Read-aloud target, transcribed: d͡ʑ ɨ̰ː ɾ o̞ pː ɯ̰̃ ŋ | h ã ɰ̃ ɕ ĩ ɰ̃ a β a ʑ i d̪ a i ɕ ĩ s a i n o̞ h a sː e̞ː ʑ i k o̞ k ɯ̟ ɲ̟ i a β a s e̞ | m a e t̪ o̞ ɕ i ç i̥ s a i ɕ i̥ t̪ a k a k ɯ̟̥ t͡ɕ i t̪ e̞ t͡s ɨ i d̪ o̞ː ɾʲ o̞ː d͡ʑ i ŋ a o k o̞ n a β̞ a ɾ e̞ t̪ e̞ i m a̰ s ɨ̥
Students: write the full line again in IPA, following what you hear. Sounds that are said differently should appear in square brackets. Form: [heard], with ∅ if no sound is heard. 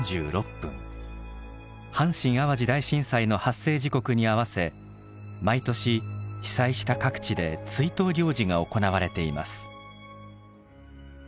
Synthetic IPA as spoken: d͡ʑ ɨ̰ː ɾ o̞ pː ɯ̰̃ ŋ | h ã ɰ̃ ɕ ĩ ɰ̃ a β a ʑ i d̪ a i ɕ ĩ s a i n o̞ h a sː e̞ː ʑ i k o̞ k ɯ̟ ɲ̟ i a β a s e̞ | m a [i] t̪ o̞ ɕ i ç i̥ s a i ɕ i̥ t̪ a k a k ɯ̟̥ t͡ɕ i [d̪] e̞ t͡s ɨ i [t̪] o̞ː ɾʲ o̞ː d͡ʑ i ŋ a o k o̞ n a β̞ a ɾ e̞ t̪ e̞ i m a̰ s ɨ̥